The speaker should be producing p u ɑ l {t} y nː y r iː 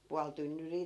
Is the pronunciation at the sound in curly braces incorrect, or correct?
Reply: correct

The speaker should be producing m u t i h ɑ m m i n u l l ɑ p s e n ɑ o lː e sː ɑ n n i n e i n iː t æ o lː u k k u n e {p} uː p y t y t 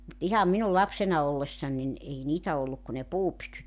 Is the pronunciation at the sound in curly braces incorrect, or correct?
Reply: correct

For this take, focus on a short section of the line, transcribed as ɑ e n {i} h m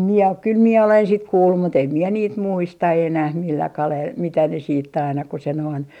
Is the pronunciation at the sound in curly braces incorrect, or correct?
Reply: incorrect: æ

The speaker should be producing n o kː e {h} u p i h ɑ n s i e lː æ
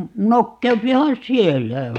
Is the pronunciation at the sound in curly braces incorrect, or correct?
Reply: incorrect: none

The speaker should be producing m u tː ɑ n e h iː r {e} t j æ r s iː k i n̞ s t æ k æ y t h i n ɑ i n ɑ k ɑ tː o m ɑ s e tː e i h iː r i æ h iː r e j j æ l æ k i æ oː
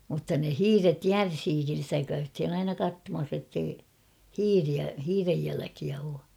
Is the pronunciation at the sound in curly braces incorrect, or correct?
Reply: correct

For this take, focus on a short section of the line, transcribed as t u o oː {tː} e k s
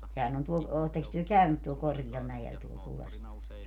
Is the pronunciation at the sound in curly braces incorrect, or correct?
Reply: correct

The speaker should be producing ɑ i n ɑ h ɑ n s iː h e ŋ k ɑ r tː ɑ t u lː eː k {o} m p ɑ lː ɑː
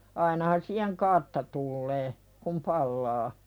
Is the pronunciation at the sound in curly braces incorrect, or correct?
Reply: incorrect: u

